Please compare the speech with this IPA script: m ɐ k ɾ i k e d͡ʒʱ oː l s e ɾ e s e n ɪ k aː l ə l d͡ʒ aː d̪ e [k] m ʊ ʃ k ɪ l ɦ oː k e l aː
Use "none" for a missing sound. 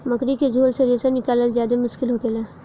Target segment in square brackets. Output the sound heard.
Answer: none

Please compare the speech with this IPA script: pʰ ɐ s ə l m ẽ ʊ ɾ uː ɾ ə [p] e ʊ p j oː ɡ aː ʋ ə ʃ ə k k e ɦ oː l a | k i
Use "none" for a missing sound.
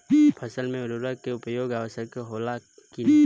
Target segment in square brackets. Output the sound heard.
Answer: k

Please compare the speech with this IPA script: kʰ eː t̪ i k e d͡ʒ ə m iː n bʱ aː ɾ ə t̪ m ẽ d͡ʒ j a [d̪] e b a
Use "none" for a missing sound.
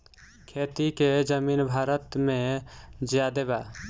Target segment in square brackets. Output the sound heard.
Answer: d̪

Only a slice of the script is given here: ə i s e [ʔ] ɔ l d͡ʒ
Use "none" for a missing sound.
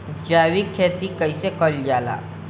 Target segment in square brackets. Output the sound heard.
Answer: k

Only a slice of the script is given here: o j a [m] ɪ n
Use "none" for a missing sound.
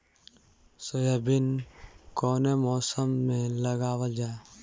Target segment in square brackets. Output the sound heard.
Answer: b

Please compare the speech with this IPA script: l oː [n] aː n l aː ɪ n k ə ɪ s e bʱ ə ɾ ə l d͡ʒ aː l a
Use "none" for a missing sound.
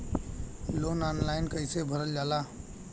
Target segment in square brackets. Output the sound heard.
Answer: n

